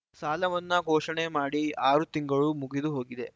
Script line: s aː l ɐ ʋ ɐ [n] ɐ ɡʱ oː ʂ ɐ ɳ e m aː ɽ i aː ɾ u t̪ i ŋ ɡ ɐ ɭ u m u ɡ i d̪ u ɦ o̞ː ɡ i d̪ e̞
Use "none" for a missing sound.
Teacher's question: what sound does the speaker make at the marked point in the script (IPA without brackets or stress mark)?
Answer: nː